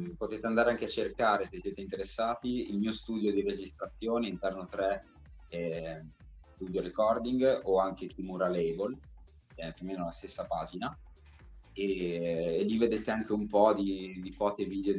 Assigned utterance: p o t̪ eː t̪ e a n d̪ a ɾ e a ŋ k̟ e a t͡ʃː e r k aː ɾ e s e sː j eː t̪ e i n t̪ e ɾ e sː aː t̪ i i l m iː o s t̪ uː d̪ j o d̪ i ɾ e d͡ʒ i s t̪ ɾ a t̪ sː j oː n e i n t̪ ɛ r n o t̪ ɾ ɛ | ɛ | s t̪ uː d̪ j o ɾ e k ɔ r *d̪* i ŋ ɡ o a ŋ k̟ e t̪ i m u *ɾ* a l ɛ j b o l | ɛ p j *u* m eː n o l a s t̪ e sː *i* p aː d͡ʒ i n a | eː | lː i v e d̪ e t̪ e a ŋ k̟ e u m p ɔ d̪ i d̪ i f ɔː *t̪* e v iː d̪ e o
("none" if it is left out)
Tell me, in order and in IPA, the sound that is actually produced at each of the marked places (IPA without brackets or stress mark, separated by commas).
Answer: d̪, ɾ, o, a, t̪